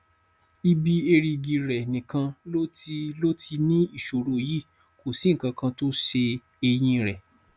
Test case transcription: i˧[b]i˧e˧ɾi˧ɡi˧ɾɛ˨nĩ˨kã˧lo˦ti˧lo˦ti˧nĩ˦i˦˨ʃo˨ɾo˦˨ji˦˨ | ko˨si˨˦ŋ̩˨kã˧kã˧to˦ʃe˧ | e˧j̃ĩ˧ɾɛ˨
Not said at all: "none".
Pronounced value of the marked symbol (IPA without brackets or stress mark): b